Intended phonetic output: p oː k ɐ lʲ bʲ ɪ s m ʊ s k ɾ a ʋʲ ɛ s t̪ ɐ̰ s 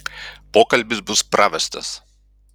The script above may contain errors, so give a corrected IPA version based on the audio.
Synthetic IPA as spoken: p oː k ɐ lʲ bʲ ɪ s b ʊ s p ɾ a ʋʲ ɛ s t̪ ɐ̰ s